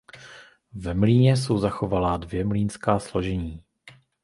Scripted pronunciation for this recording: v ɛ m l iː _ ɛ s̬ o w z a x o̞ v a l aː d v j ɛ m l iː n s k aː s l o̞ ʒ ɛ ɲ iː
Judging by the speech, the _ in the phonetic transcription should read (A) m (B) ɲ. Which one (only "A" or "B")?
B